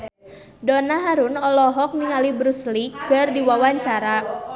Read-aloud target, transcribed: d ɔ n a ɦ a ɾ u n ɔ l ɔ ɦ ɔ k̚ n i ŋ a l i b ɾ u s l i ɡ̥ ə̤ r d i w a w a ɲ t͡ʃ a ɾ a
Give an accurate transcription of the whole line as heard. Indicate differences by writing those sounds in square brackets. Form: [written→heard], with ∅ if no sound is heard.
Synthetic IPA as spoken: d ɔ n a ɦ a ɾ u n ɔ l ɔ ɦ ɔ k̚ n i ŋ a l i b ɾ u s l i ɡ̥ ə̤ r d i w a w a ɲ t͡ʃ a ɾ a